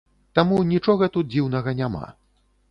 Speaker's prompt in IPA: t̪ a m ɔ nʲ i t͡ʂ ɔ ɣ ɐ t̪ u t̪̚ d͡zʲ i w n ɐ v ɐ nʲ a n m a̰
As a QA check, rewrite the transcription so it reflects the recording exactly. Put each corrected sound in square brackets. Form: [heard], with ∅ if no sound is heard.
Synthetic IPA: t̪ a m [u] nʲ i t͡ʂ ɔ ɣ ɐ t̪ u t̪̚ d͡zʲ i w n ɐ [ɣ] ɐ nʲ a [∅] m a̰